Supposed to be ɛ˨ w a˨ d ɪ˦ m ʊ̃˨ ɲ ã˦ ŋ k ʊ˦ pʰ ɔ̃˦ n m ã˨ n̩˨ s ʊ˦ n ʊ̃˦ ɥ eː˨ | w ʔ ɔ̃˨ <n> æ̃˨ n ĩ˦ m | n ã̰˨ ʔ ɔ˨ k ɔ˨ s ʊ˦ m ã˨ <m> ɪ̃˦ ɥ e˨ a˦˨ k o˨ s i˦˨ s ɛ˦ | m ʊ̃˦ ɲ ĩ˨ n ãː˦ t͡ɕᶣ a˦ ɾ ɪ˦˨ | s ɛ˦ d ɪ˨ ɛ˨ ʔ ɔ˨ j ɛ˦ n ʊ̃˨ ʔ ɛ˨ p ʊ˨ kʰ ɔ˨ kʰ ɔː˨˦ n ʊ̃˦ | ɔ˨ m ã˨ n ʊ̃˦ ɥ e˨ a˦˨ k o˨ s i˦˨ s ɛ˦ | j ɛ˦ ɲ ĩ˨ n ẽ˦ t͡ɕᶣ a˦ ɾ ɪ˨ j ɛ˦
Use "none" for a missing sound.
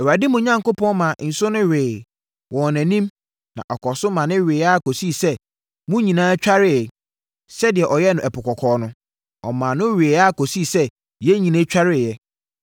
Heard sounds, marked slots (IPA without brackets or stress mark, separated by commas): n, n